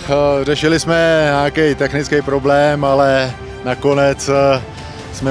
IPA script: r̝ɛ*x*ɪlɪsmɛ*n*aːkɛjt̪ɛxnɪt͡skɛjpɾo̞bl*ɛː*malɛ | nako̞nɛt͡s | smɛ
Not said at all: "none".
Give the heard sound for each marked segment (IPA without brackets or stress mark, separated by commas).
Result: ʃ, ɲ, ɛː